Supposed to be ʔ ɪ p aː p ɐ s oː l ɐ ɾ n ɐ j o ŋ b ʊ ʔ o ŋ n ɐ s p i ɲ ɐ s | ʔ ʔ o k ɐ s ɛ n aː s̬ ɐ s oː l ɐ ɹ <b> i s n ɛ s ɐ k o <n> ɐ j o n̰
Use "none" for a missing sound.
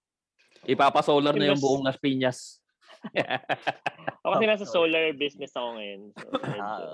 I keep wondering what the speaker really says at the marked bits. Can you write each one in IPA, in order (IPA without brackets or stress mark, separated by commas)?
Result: b, ŋ